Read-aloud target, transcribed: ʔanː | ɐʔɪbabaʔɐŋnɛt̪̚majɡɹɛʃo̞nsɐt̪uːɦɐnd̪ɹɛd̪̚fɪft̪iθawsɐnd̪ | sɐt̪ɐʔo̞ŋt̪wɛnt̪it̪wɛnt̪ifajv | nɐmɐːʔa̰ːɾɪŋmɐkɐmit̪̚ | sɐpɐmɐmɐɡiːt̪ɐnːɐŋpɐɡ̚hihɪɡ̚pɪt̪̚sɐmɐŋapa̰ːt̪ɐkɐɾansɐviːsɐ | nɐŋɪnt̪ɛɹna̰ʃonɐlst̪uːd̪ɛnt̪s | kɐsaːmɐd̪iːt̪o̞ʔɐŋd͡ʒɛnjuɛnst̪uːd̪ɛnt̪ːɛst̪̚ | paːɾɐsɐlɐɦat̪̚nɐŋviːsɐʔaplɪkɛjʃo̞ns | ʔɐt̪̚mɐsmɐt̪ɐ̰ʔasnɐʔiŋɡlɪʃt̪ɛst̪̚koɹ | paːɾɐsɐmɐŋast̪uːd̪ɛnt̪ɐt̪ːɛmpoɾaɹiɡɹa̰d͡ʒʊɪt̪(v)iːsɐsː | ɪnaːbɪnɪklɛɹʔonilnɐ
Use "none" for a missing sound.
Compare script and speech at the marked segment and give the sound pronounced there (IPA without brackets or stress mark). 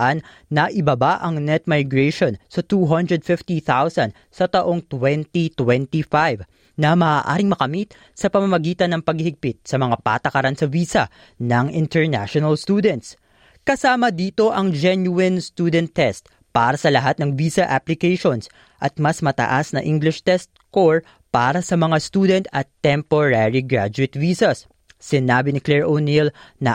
v